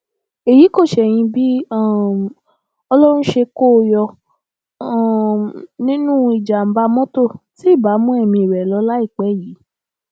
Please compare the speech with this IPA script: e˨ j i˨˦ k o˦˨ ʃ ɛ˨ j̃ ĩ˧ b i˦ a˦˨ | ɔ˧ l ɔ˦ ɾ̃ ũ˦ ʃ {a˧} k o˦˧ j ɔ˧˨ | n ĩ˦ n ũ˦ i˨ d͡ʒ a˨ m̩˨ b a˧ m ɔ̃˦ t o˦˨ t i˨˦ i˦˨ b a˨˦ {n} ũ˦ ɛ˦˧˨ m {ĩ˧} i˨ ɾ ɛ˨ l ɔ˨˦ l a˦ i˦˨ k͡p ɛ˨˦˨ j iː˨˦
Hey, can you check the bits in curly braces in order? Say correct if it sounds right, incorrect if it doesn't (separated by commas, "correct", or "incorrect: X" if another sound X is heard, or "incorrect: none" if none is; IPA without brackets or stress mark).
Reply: incorrect: e˧, incorrect: m, correct